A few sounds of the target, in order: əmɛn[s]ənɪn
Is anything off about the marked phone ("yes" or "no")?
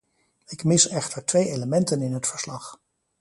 yes